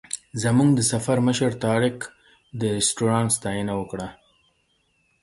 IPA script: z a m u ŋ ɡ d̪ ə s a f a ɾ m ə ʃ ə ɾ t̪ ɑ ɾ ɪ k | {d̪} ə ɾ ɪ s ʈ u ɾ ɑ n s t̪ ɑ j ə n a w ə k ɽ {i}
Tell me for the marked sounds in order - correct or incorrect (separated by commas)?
correct, incorrect